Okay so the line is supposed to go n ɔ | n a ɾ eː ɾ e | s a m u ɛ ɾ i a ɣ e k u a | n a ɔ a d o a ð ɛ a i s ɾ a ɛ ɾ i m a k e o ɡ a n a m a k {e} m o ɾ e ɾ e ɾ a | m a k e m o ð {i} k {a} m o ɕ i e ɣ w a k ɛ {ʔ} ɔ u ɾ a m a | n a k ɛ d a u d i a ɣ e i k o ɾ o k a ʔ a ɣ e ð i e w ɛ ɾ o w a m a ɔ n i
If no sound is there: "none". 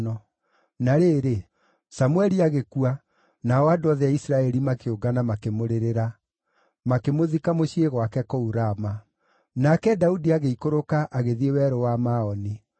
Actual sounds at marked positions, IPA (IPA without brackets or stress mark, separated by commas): e, i, a, k